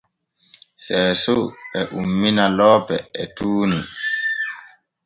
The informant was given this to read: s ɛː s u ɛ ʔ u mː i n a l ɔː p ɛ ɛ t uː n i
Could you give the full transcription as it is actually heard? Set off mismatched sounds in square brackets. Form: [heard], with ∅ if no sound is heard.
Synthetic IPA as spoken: s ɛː s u ɛ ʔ u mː i n a l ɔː p ɛ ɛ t uː n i